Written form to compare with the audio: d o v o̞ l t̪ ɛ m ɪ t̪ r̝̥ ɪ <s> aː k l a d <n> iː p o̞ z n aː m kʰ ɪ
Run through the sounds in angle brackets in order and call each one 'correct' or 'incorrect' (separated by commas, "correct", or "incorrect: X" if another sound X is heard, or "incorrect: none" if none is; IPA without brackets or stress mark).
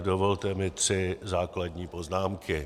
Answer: incorrect: z, incorrect: ɲ